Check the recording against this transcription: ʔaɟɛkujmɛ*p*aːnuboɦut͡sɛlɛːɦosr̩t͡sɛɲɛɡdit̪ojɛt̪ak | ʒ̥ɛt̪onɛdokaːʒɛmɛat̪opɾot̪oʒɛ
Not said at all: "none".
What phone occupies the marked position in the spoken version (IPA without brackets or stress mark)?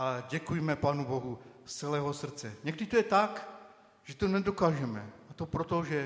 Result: p